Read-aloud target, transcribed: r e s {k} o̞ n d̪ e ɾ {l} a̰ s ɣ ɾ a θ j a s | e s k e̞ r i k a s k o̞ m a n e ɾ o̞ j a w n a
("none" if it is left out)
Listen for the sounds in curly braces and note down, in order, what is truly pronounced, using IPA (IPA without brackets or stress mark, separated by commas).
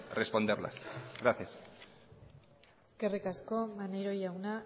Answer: p, l